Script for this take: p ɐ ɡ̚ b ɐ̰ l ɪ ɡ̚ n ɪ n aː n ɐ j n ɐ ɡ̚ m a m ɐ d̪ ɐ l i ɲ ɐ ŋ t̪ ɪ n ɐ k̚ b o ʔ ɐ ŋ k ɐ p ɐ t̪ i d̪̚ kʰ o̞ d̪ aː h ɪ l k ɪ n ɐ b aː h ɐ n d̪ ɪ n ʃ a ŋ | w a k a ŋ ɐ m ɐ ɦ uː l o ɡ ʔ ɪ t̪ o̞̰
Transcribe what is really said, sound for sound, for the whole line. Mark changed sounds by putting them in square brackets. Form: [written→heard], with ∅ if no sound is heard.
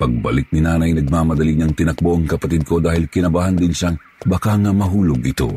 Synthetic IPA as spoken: p ɐ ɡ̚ b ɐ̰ l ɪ [ɡ̚→k̚] n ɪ n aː n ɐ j n ɐ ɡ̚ m a m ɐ d̪ ɐ l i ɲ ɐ ŋ t̪ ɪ n ɐ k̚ b o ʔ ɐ ŋ k ɐ p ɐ t̪ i d̪̚ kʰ o̞ d̪ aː h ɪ l k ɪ n ɐ b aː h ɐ n d̪ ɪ n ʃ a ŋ | [w→b] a k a ŋ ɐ m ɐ ɦ uː l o ɡ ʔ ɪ t̪ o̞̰